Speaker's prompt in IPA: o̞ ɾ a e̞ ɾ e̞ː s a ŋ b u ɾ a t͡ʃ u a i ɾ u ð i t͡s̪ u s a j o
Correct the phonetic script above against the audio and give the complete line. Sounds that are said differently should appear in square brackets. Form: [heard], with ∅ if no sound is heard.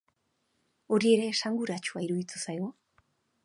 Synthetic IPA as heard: o̞ ɾ [i] e̞ ɾ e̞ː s a ŋ [ɡ] u ɾ a t͡ʃ u a i ɾ u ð i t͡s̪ u s a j o